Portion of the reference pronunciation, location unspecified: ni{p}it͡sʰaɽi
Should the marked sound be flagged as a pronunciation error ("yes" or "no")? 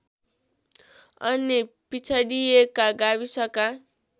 no